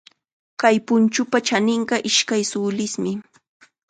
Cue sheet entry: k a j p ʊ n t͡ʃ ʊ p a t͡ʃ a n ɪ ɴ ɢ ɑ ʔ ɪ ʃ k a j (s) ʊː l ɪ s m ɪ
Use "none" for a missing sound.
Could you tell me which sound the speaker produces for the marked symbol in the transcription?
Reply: s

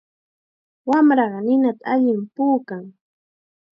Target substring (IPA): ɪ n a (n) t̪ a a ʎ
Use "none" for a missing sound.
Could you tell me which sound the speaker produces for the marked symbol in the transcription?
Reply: none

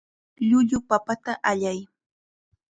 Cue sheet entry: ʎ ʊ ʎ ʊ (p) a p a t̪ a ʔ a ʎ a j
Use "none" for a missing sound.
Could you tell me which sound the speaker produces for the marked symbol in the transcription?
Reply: p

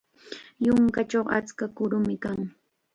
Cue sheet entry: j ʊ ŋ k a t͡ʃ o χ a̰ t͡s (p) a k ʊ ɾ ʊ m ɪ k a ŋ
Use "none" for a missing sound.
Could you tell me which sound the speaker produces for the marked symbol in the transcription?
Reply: k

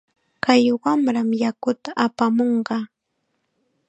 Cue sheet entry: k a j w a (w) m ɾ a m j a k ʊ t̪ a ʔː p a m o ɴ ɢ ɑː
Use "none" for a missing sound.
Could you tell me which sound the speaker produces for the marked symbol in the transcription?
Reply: none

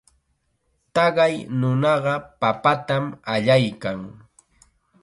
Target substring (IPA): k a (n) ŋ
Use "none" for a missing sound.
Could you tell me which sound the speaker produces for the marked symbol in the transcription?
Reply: none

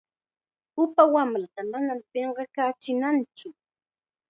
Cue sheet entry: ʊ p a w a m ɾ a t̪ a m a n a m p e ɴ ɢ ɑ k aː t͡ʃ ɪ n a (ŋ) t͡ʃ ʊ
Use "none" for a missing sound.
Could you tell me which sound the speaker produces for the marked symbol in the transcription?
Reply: n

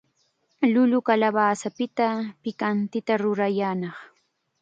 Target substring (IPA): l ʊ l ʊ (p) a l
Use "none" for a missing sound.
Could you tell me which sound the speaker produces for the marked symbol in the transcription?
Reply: k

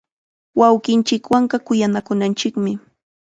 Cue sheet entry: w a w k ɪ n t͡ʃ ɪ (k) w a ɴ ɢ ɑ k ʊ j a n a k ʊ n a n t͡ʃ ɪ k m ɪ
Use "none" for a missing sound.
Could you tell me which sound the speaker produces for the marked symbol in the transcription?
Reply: k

